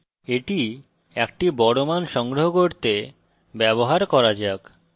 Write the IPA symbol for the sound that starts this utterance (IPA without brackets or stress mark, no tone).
e